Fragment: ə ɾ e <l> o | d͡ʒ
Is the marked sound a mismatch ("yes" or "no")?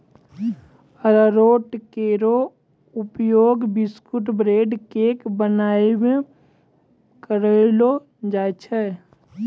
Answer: no